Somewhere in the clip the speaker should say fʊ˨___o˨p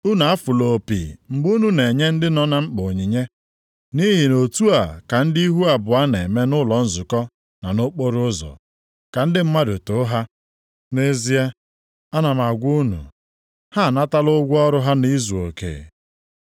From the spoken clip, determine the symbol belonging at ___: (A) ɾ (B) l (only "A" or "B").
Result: B